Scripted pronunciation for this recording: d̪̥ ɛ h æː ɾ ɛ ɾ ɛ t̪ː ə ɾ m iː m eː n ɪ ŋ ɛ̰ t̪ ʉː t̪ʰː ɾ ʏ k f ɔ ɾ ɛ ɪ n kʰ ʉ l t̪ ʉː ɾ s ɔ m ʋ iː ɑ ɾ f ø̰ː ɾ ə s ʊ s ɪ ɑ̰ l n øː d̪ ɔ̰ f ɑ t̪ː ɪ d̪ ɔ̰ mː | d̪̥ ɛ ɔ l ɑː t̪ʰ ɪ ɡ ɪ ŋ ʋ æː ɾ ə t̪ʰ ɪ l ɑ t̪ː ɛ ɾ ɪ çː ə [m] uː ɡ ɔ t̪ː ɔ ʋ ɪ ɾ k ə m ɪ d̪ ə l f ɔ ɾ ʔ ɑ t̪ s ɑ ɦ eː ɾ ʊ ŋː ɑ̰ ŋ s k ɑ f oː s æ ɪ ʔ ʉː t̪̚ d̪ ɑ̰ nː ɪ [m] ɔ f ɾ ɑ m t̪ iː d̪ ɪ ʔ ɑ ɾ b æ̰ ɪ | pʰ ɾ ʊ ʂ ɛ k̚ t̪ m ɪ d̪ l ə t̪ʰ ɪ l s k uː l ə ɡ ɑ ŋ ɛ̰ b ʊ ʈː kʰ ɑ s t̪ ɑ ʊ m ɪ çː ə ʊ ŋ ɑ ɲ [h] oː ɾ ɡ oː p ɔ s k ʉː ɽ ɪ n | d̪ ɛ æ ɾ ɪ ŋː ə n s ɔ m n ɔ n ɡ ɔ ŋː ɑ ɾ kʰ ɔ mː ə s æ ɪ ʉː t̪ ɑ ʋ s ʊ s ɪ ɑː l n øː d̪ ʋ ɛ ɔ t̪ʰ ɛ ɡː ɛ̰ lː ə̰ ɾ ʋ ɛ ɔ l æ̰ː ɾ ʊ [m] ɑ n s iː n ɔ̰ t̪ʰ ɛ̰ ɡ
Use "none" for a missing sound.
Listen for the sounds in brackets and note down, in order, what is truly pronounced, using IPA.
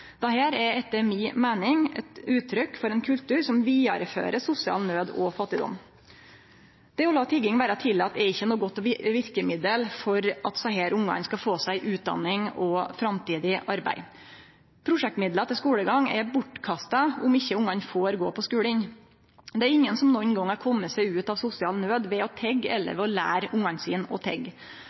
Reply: n, ŋ, f, ŋ

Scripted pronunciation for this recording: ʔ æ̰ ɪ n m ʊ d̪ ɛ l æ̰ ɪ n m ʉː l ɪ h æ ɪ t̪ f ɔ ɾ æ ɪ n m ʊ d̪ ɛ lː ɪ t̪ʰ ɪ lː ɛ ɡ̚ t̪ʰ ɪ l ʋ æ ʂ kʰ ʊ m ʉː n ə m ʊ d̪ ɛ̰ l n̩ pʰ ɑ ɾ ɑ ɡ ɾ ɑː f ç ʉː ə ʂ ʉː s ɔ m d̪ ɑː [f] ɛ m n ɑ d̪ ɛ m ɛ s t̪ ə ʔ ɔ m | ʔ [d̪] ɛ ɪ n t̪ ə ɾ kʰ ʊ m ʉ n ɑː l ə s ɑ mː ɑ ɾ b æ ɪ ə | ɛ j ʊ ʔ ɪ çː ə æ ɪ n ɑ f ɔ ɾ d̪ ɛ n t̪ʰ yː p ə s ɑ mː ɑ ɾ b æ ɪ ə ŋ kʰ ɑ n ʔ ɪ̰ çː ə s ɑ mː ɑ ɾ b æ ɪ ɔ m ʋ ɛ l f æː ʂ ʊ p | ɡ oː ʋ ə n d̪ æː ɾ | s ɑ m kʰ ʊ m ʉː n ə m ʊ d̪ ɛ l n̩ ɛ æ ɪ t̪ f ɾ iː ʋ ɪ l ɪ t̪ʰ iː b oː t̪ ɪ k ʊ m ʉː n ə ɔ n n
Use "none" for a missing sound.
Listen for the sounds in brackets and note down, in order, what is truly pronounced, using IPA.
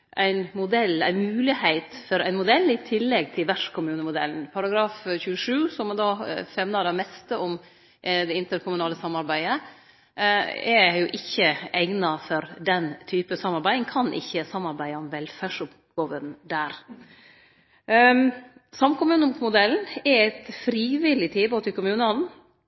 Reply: f, d̪

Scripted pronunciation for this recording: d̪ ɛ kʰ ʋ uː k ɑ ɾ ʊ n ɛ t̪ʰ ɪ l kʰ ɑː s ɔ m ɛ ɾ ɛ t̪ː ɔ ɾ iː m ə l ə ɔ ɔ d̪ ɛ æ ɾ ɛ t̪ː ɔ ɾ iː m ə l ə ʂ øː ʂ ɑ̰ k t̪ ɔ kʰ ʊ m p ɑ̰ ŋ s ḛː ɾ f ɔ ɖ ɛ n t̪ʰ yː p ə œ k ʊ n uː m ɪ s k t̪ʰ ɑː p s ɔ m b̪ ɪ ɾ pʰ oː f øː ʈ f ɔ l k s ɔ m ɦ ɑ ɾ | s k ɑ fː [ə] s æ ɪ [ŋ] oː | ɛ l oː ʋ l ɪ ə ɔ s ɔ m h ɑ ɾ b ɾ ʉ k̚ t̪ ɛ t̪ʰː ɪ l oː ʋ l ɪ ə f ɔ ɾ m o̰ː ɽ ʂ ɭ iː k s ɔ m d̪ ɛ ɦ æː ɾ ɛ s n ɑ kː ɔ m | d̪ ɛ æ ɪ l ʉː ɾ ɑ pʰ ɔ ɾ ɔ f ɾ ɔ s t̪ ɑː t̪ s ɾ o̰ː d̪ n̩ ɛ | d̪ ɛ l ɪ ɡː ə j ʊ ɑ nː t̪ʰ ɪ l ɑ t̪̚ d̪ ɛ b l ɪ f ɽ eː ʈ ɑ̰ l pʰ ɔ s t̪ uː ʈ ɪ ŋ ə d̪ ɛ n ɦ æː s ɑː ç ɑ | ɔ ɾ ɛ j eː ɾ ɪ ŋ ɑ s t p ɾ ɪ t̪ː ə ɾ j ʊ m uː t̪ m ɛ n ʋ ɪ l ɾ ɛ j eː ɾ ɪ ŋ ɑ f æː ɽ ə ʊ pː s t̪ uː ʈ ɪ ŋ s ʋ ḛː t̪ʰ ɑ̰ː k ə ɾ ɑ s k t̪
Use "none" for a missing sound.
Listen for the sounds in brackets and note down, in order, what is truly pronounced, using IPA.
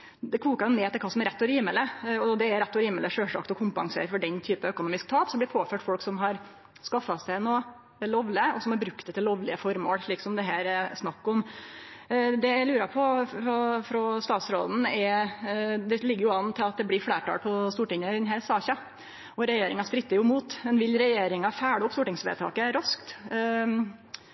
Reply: ɑ, n

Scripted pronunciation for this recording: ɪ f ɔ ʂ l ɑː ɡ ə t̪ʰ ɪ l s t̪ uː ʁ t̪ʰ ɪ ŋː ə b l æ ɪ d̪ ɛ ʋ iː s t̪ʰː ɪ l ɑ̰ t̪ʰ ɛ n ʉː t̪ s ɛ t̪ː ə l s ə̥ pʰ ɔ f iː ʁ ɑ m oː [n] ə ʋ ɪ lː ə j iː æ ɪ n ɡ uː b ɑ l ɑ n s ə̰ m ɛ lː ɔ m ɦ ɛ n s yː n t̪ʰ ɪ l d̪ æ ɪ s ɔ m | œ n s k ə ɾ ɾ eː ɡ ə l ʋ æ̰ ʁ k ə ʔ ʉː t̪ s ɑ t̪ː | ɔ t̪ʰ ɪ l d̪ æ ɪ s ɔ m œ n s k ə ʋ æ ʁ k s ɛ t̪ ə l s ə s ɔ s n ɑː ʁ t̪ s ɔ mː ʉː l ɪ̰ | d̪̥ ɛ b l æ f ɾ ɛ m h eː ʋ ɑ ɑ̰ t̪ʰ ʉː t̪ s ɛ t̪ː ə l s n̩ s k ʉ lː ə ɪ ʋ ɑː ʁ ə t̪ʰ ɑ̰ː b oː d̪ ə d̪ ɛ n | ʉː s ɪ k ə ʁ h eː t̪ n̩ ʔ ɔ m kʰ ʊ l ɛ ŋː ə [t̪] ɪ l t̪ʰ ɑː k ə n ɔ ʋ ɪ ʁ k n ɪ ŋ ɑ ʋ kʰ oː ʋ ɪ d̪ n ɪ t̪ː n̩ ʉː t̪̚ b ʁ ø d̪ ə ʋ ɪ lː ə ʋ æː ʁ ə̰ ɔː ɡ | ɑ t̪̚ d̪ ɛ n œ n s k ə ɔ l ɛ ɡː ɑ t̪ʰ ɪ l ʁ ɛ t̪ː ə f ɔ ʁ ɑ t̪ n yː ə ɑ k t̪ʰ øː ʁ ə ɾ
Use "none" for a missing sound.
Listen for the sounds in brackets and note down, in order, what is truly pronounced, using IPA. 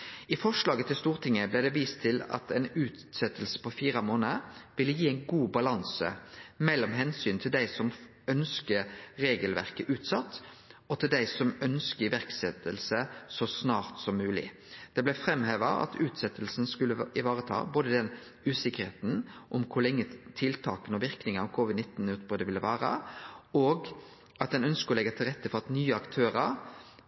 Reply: n, t̪ʰ

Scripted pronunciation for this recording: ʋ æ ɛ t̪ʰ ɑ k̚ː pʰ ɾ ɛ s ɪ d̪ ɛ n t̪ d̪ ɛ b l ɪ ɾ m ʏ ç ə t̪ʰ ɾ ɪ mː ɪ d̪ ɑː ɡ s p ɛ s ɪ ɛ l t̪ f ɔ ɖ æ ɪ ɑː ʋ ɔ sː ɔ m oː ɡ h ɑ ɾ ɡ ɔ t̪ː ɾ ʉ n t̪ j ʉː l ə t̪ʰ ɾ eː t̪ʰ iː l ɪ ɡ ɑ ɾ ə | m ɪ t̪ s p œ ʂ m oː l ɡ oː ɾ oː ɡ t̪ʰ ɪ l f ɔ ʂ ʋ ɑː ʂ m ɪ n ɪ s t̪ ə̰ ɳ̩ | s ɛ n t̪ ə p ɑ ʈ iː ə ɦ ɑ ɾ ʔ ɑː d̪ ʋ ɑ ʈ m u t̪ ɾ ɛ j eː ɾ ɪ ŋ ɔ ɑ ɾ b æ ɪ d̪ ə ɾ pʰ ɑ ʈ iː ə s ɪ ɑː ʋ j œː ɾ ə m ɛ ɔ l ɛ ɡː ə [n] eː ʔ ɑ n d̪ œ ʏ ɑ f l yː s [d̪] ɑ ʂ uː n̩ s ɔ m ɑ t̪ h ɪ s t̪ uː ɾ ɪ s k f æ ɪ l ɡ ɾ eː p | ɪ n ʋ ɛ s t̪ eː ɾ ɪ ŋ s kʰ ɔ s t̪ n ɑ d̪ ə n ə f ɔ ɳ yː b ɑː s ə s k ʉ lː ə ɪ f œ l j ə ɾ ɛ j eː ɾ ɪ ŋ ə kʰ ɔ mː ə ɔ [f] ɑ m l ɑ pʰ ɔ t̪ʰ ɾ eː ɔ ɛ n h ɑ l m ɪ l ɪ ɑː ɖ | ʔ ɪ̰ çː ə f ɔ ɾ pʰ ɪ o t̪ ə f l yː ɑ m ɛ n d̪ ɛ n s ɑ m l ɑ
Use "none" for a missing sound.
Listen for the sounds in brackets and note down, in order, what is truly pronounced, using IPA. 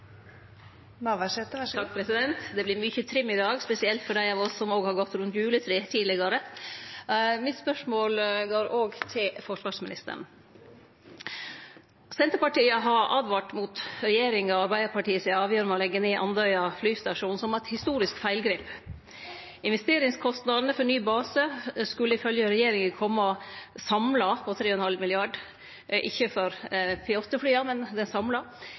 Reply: n, t̪, s

